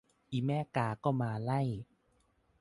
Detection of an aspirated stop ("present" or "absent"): absent